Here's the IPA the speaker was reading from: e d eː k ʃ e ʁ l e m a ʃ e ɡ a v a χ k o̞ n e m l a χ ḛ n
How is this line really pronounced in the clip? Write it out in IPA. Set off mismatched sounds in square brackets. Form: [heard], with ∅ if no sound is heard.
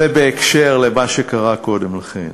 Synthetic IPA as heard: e [b] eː k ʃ e ʁ l e m a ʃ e [k] a [ʁ] a [∅] k o̞ [d] e m l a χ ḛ n